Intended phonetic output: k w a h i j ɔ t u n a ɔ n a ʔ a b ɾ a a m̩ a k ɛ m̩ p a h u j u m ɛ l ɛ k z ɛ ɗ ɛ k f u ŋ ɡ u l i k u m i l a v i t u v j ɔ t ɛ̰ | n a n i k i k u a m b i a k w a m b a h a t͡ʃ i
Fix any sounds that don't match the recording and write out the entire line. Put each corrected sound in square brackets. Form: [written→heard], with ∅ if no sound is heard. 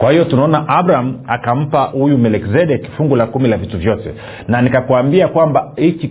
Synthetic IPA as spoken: k w a h i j ɔ t u n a ɔ n a ʔ a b ɾ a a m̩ a k [ɛ→a] m̩ p a h u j u m ɛ l ɛ k z ɛ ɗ ɛ k f u ŋ ɡ u l [i→a] k u m i l a v i t u v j ɔ t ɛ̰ | n a n i k [i→a] k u a m b i a k w a m b a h [a→i] t͡ʃ i